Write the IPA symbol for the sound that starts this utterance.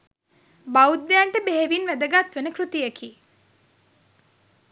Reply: b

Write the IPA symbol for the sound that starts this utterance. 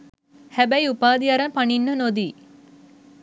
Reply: h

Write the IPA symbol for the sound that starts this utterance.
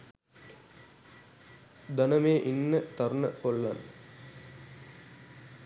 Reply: d̪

